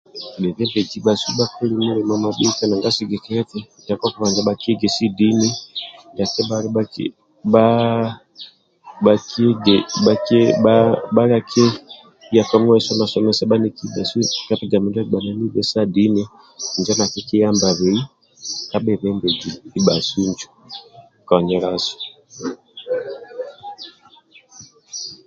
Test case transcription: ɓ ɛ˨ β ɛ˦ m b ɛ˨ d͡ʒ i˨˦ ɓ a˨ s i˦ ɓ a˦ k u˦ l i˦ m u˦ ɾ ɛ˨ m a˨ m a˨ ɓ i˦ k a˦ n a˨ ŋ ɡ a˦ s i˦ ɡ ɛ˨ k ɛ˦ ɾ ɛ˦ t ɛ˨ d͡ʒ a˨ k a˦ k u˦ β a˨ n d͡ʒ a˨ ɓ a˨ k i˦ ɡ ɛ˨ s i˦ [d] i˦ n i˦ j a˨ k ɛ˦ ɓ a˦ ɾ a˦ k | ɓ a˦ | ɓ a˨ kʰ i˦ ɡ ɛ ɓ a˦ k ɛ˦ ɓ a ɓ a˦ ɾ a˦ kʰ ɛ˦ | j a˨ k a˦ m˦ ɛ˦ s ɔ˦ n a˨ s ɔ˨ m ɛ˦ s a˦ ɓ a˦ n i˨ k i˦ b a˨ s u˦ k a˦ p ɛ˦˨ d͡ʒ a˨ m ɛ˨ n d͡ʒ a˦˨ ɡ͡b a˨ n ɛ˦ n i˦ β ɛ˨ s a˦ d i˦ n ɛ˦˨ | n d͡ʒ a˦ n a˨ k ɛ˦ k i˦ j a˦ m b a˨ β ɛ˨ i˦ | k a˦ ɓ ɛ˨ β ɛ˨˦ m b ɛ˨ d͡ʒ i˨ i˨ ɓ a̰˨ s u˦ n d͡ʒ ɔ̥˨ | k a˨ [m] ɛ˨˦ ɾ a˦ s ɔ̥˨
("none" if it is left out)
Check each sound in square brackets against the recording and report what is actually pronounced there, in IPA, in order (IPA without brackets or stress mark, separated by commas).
d, ɲ